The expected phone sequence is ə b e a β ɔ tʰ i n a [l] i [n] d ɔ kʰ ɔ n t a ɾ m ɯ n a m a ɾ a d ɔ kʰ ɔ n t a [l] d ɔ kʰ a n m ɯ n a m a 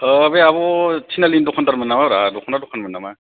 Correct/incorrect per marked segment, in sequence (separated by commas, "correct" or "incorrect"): correct, correct, incorrect